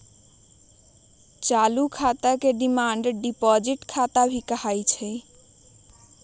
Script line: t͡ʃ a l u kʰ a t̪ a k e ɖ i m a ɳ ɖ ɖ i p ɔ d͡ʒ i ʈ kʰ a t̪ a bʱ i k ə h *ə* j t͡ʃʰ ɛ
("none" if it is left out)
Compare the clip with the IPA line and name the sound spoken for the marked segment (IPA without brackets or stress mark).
a